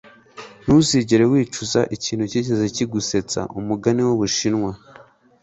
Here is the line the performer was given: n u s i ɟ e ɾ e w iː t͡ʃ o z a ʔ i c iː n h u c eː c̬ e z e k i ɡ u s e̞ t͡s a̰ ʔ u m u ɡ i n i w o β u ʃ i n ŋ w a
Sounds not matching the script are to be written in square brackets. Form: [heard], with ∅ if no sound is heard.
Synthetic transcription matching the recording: n u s i ɟ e ɾ e w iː t͡ʃ [u] z a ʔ i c iː n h u c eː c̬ e z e [c] i ɡ u s e̞ t͡s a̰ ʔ u m u ɡ [a] n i w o β u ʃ i n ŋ w a